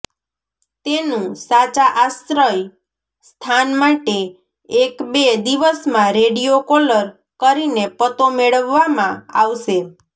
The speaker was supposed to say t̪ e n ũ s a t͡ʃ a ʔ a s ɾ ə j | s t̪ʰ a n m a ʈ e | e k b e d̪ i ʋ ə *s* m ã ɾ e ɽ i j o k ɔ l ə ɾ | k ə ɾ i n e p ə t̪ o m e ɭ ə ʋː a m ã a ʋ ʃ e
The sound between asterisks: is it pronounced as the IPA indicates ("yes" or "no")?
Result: yes